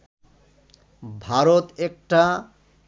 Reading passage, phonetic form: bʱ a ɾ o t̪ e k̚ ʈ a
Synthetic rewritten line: bʱ a ɾ o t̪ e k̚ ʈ a

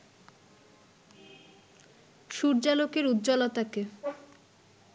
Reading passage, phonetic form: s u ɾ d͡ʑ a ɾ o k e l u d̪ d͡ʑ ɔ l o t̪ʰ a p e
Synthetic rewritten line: ʃ u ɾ d͡ʑ a l o k e ɾ u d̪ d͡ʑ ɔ l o t̪ a k e

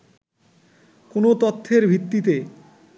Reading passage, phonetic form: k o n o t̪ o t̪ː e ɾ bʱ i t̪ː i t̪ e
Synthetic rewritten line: k o n o t̪ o t̪ʰː e ɾ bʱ i t̪ː i t̪ e

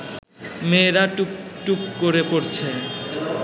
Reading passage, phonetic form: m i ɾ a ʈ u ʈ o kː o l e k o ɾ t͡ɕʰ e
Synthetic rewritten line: m e ɾ a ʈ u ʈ u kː o ɾ e p o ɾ t͡ɕʰ e

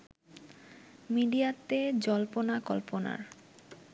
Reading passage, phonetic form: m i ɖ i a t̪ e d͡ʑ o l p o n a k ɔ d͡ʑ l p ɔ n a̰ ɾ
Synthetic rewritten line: m i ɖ i a t̪ e d͡ʑ ɔ l p o n a k ɔ l p o n a̰ ɾ

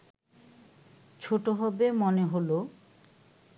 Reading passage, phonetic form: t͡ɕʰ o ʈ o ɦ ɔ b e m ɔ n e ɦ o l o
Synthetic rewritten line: t͡ɕʰ o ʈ o ɦ ɔ b e m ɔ n e ɦ o l o

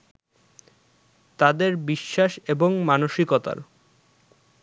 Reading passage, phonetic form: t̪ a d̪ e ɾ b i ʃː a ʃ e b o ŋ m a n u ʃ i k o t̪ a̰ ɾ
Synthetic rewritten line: t̪ a d̪ e ɾ b i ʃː a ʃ e b o ŋ m a n o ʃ i k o t̪ a̰ ɾ

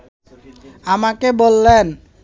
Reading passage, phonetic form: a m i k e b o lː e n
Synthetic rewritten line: a m a k e b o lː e n

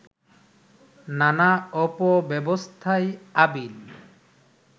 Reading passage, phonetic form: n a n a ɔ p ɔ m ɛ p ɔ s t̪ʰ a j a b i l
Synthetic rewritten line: n a n a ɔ p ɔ b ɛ b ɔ s t̪ʰ a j a b i l

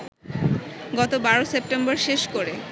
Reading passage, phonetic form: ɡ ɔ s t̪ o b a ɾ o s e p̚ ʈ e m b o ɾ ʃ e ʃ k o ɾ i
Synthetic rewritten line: ɡ ɔ t̪ o b a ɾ o s e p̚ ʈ e m b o ɾ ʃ e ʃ k o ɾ e

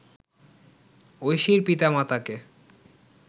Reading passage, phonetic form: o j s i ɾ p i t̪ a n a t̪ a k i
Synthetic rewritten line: o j ʃ i ɾ p i t̪ a m a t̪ a k e

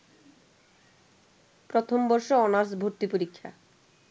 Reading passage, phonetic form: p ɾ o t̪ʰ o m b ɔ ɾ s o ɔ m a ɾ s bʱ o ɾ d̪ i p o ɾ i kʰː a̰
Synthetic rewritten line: p ɾ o t̪ʰ o m b ɔ ɾ ʃ o ɔ n a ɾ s bʱ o ɾ t̪ i p o ɾ i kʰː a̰

